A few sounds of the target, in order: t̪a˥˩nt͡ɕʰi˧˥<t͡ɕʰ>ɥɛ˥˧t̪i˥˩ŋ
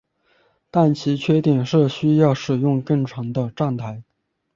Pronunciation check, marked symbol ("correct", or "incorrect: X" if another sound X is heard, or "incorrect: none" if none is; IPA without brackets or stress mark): correct